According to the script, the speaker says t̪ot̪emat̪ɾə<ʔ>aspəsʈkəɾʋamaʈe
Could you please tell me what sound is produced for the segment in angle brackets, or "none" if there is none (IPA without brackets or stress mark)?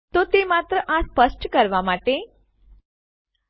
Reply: ʔ